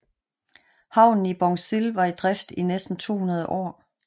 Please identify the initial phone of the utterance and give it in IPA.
h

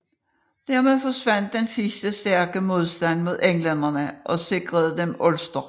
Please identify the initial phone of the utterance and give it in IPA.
d̥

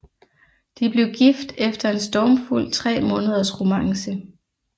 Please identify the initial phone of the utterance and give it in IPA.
d̥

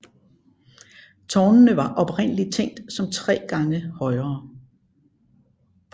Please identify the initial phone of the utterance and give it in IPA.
t͡sʰ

